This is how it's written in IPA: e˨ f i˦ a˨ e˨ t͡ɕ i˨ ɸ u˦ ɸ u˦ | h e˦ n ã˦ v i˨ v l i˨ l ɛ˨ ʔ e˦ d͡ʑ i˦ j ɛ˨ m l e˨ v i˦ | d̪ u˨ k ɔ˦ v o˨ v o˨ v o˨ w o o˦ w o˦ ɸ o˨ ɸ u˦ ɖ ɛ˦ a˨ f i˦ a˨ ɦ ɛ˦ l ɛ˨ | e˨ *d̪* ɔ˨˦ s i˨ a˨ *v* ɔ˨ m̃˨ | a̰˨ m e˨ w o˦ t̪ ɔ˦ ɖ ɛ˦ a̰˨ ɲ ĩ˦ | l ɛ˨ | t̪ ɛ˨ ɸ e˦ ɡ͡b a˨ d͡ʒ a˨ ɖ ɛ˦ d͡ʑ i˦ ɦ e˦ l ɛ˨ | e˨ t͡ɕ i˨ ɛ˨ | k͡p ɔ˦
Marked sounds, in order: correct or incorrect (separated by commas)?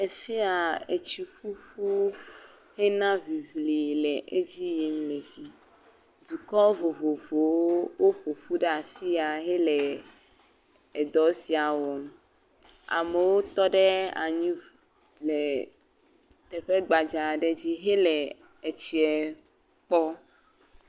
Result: correct, incorrect